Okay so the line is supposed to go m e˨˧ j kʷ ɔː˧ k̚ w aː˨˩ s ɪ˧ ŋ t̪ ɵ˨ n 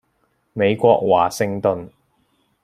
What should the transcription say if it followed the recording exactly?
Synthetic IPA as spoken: m e˨˧ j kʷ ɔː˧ k̚ w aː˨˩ s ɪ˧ ŋ t̪ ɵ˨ n